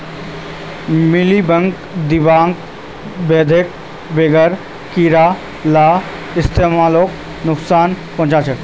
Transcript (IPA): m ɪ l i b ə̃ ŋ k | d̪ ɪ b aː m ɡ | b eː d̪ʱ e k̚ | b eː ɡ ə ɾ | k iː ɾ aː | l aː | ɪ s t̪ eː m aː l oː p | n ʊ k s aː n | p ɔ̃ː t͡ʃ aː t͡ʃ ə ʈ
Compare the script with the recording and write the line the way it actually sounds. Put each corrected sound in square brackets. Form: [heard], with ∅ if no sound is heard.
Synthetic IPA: m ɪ l i b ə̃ ŋ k | d̪ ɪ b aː [ŋ] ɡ | b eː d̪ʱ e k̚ | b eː ɡ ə ɾ | k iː ɾ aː | l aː | ɪ s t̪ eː m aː l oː [k] | n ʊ k s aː n | p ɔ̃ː t͡ʃ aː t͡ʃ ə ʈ

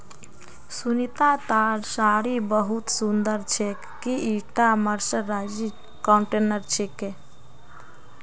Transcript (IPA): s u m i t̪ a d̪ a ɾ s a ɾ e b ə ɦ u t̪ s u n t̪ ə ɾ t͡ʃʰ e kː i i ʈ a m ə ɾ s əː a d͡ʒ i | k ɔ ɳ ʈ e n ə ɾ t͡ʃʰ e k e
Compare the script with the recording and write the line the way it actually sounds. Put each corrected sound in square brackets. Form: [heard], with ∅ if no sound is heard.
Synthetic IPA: s u [n] i t̪ a [t̪] a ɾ s a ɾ [i] b ə ɦ u t̪ s u n [d̪] ə ɾ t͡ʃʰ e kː i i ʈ a m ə ɾ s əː a d͡ʒ i | k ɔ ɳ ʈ e n ə ɾ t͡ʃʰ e k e

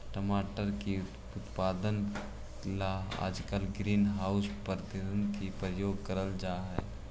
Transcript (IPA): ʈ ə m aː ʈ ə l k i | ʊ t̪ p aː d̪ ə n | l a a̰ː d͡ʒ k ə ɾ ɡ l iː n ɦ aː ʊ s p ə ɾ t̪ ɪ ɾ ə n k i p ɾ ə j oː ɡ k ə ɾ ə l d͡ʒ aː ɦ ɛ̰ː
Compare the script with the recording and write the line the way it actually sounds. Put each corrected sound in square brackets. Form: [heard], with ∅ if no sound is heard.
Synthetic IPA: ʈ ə m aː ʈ ə [ɾ] k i | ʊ t̪ p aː d̪ ə n | l a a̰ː d͡ʒ k ə [l] ɡ [ɾ] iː n ɦ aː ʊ s p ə ɾ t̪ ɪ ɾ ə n k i p ɾ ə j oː ɡ k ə ɾ ə l d͡ʒ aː ɦ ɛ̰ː

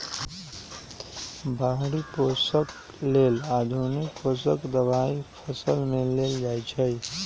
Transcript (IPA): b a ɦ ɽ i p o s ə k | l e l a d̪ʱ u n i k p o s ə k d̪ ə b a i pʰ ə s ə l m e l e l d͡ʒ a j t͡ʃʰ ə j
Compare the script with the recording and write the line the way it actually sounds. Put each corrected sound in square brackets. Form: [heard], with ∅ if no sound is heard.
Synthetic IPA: b a ɦ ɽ i p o s ə k | l e l a d̪ʱ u n i k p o s ə k d̪ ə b a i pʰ ə s ə l m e l e l d͡ʒ a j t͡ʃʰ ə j

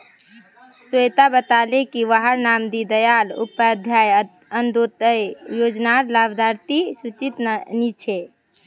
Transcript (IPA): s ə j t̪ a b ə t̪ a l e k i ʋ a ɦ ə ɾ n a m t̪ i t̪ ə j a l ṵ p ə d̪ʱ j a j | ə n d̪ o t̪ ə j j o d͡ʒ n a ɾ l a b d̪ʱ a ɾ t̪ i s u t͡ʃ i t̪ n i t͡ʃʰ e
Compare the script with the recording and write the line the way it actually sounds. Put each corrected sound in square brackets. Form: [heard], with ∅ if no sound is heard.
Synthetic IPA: s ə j t̪ a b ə t̪ a l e k i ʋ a ɦ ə ɾ n a m [d̪] i [d̪] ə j a l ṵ p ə d̪ʱ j a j | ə n d̪ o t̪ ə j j o d͡ʒ n a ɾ l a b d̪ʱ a ɾ t̪ i s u t͡ʃ i t̪ n i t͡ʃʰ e

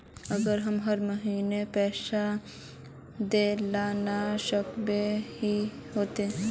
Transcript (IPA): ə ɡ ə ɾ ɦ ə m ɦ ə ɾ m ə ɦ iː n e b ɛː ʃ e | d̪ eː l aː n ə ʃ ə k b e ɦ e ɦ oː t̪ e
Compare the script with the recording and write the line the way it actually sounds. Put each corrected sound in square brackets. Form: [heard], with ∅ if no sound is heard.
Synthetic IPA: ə ɡ ə ɾ ɦ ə m ɦ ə ɾ m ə ɦ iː n e [p] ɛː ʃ [a] | d̪ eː l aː n [a] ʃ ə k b e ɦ [i] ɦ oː t̪ e

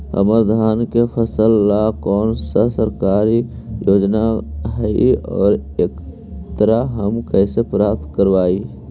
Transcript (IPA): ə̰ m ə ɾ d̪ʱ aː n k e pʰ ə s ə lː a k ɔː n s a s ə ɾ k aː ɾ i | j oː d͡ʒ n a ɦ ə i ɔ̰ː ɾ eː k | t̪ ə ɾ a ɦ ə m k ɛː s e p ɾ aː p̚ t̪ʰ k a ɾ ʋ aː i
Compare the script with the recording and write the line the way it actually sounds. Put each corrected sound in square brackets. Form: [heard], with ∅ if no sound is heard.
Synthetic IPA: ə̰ m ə ɾ d̪ʱ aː n k e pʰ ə s ə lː a k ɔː n s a s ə ɾ k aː ɾ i | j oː d͡ʒ n a ɦ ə i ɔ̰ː ɾ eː k | t̪ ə ɾ a ɦ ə m k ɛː s e p ɾ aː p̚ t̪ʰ k [ə] ɾ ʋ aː i

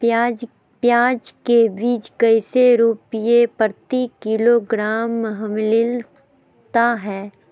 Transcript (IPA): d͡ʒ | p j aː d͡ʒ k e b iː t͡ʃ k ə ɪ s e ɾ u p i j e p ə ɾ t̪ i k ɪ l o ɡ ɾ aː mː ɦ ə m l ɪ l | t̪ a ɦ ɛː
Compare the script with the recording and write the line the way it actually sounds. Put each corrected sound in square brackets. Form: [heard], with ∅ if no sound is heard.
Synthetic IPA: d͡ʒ | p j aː d͡ʒ k e b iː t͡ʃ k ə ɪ s e ɾ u p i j e p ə ɾ t̪ i k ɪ l o ɡ ɾ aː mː ɦ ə m l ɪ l | t̪ a ɦ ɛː

